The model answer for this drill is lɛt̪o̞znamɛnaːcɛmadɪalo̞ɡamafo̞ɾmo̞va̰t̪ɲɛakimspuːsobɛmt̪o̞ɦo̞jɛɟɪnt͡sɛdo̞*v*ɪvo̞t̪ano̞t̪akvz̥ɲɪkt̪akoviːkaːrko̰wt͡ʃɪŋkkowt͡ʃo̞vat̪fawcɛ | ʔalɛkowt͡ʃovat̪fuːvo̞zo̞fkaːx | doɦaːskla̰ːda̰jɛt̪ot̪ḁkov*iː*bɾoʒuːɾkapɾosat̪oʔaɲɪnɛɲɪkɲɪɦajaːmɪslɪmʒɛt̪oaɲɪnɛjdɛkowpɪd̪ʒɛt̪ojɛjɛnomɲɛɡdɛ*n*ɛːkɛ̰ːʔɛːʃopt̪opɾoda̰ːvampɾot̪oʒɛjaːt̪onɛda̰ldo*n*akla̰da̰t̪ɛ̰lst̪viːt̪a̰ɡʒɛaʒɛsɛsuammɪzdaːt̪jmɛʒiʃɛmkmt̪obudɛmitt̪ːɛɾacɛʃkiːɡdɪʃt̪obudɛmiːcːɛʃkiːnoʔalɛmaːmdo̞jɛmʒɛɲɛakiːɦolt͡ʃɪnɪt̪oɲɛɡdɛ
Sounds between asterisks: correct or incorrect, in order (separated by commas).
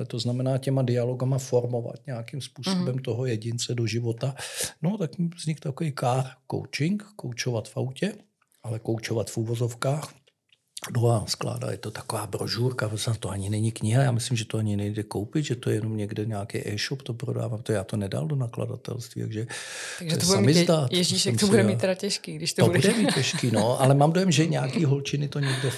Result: incorrect, incorrect, incorrect, correct